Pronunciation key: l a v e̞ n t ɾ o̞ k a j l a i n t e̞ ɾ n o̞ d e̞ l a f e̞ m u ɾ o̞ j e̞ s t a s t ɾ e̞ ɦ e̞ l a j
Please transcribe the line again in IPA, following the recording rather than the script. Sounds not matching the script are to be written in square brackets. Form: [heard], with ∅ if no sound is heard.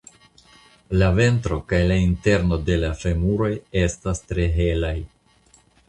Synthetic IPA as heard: l a v e̞ n t ɾ o̞ k a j l a i n t e̞ ɾ n o̞ d e̞ l a f e̞ m u ɾ o̞ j e̞ s t a s t ɾ e̞ ɦ e̞ l a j